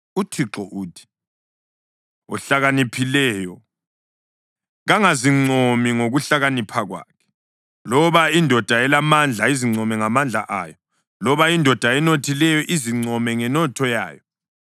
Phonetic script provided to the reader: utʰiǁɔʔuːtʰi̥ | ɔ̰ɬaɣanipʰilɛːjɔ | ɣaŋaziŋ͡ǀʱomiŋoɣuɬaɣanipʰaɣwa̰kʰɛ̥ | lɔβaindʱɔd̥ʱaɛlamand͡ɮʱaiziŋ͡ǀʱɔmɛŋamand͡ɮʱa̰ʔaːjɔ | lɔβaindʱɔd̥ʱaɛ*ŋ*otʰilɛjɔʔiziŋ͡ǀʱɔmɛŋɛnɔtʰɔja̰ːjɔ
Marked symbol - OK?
no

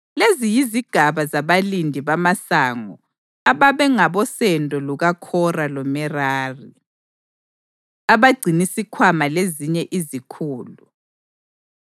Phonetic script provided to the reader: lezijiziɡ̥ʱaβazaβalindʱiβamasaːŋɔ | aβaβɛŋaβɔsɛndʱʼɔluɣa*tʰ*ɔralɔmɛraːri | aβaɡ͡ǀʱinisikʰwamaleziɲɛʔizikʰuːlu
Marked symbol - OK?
no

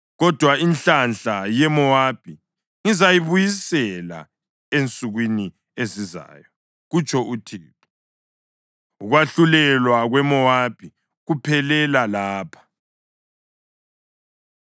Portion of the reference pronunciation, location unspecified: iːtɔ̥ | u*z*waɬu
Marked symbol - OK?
no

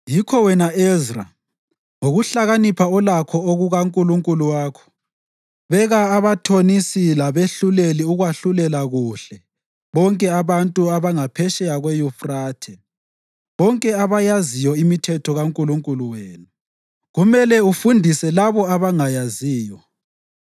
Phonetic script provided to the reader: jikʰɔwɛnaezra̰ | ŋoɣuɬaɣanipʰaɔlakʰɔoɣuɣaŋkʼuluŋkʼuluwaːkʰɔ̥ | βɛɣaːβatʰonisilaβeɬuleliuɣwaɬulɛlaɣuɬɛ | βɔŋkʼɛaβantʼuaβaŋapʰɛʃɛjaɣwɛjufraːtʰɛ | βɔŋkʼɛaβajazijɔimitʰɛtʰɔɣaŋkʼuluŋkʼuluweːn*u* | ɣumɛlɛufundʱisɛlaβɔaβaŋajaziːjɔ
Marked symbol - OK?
yes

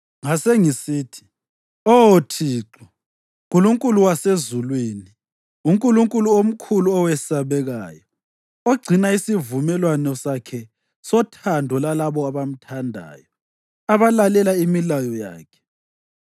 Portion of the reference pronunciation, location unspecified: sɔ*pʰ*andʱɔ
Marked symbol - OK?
no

